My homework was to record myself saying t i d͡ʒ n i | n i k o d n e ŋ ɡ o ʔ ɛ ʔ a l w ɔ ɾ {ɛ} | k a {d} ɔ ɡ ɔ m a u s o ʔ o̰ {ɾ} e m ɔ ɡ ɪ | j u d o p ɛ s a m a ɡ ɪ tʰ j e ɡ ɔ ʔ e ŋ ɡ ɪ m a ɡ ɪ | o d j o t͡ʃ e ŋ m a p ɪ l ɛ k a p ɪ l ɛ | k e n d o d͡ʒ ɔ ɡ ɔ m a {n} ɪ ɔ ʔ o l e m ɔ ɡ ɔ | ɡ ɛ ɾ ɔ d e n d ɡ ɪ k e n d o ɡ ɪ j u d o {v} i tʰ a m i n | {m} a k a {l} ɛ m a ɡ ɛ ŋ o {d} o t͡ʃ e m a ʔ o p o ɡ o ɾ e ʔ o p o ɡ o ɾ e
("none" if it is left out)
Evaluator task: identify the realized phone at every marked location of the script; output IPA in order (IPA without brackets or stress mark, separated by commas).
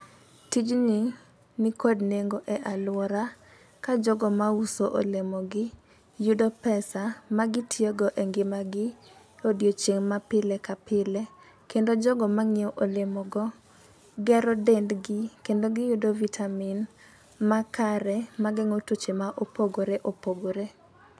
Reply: a, d͡ʒ, l, ŋ, v, m, ɾ, t